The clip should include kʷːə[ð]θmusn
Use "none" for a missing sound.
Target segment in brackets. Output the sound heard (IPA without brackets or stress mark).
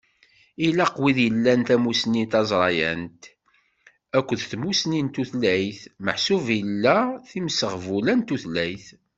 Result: ð